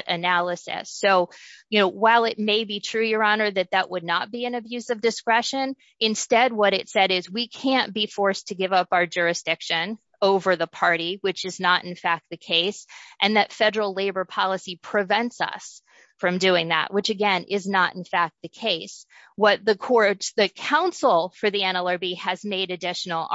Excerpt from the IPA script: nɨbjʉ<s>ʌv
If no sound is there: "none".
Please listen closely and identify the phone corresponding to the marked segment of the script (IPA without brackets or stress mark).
z